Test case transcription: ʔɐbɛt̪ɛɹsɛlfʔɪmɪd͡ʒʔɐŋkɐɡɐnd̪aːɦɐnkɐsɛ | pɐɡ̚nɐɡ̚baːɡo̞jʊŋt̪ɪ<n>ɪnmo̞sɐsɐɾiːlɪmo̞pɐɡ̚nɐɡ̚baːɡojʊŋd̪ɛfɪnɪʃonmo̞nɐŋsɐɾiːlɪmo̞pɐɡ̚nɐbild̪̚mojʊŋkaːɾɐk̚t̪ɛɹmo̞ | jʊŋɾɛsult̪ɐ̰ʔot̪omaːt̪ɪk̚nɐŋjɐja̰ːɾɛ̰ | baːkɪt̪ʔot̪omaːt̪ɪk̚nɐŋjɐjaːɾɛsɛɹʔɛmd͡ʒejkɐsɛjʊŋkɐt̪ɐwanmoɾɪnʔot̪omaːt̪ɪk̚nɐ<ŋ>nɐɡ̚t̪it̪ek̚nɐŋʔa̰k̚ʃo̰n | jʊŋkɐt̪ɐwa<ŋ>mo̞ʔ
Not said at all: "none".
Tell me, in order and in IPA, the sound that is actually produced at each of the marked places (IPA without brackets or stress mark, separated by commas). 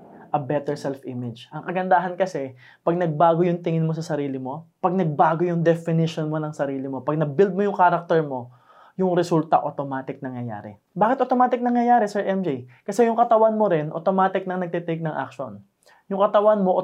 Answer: ŋ, ŋ, n